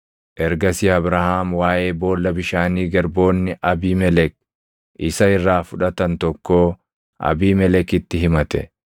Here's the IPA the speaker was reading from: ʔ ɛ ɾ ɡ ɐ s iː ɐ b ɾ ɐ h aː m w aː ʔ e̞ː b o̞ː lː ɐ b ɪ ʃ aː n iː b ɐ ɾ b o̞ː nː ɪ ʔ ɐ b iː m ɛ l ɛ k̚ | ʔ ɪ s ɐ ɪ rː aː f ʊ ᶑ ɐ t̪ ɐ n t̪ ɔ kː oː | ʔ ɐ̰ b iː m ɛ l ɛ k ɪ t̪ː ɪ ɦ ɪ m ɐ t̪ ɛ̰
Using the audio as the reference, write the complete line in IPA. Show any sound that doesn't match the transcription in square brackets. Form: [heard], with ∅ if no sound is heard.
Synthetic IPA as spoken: ʔ ɛ ɾ ɡ ɐ s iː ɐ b ɾ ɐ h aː m w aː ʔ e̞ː b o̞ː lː ɐ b ɪ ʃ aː n iː [ɡ] ɐ ɾ b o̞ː nː ɪ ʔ ɐ b iː m ɛ l ɛ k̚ | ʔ ɪ s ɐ ɪ rː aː f ʊ ᶑ ɐ t̪ ɐ n t̪ ɔ kː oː | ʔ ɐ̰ b iː m ɛ l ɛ k ɪ t̪ː ɪ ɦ ɪ m ɐ t̪ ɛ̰